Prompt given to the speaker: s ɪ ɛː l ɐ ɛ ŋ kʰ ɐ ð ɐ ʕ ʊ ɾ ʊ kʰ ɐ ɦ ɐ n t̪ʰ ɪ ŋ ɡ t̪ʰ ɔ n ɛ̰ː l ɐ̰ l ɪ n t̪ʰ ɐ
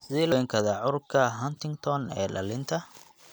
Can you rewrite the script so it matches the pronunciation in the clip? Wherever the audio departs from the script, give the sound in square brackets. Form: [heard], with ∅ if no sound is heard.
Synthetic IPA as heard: s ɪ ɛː l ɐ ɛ ŋ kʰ ɐ ð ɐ ʕ ʊ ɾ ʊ kʰ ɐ ɦ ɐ n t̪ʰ ɪ ŋ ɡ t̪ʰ ɔ n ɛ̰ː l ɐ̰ l ɪ n t̪ʰ ɐ

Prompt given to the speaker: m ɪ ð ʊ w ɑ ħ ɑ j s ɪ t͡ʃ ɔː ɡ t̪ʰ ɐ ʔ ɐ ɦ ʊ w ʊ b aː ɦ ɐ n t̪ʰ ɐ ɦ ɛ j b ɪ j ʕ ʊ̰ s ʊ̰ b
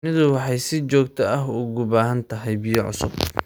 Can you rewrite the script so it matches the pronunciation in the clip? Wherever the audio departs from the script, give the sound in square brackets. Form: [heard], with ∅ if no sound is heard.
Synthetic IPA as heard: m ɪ ð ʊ w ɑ ħ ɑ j s ɪ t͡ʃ ɔː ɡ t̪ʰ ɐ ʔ ɐ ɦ ʊ [ɣ] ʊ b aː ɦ ɐ n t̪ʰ ɐ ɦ ɛ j b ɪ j ʕ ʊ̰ s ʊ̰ b

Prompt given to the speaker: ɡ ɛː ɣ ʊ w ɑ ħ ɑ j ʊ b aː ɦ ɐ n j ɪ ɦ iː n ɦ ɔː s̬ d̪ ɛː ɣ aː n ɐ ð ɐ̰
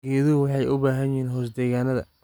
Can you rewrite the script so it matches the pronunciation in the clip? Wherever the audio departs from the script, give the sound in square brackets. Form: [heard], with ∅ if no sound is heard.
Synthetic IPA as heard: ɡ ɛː [ð] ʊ w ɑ ħ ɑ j ʊ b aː ɦ ɐ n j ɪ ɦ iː n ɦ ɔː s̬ d̪ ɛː ɣ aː n ɐ ð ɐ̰

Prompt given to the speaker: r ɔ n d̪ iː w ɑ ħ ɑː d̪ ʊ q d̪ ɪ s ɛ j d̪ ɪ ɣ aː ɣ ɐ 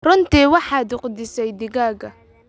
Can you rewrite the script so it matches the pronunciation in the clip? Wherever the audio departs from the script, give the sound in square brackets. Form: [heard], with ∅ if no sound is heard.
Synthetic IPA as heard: r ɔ n [t̪] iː w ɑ ħ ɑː d̪ ʊ q d̪ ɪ s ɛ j d̪ ɪ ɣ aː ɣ ɐ

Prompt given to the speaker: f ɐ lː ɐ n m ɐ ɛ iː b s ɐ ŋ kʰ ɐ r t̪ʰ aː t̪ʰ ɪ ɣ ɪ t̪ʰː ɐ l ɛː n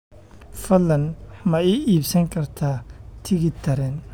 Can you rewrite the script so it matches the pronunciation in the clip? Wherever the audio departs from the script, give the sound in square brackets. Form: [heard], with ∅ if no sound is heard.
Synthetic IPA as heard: f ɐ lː ɐ n m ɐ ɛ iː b s ɐ ŋ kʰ ɐ r t̪ʰ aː t̪ʰ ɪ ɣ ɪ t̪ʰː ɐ [ɾ] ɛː n

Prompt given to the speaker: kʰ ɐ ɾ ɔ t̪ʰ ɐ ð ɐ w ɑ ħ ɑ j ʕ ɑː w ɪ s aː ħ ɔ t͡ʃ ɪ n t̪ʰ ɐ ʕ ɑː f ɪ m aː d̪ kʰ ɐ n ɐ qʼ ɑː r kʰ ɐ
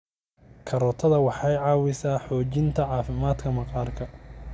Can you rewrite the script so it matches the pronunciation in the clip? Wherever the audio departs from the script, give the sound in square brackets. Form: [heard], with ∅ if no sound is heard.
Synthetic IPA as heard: kʰ ɐ ɾ ɔ t̪ʰ ɐ ð ɐ w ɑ ħ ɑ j ʕ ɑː w ɪ s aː ħ [ɔː] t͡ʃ ɪ n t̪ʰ ɐ ʕ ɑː f ɪ m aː d̪ kʰ ɐ [m] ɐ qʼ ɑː r kʰ ɐ

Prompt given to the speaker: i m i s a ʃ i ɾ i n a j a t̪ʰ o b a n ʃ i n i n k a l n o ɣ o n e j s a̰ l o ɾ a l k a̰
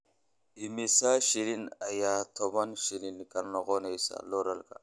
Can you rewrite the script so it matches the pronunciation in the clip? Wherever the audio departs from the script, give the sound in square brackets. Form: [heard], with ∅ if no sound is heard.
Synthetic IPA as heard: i m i s a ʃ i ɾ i n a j a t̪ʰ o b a n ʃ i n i n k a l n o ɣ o n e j s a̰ l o ɾ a l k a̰

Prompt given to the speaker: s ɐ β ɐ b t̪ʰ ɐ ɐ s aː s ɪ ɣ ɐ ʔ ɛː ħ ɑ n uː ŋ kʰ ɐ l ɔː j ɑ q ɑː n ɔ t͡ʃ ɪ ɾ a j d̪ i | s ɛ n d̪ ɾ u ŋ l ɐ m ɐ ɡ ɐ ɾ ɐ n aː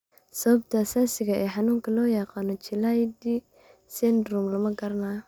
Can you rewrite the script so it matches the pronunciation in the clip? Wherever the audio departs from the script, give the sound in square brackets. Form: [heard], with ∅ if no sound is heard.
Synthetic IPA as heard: s ɐ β ɐ b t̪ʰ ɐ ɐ s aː s ɪ ɣ ɐ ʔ ɛː ħ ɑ n uː ŋ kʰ ɐ l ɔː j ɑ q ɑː n ɔ t͡ʃ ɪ [l] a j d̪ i | s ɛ n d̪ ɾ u [m] l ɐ m ɐ ɡ ɐ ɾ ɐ n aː

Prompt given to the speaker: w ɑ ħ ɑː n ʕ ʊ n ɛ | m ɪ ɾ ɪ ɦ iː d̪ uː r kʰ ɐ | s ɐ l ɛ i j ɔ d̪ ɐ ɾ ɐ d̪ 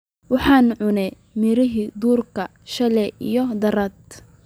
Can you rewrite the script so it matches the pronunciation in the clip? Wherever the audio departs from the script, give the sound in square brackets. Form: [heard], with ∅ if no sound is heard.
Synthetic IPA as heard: w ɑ ħ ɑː n ʕ ʊ n ɛ | m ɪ ɾ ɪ ɦ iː d̪ uː r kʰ ɐ | [ʃ] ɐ l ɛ i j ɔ d̪ ɐ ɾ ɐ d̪

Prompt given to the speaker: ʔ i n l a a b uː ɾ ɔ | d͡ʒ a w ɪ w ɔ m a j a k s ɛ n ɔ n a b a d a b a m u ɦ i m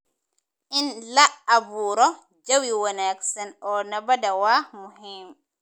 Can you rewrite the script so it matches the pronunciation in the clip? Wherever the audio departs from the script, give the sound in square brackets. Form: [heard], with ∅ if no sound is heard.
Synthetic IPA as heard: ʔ i n l a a b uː ɾ ɔ | d͡ʒ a w [i] w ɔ [n] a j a k s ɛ n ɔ n a b a d a [w] a m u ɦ i m

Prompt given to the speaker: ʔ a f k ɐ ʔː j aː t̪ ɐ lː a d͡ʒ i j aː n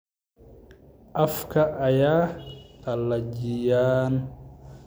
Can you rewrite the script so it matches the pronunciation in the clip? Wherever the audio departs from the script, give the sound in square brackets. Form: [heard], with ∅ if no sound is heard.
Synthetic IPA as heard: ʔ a f k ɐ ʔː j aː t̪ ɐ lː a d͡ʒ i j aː n

